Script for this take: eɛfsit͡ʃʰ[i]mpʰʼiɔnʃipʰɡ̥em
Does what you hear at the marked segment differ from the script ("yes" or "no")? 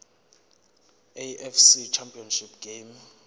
yes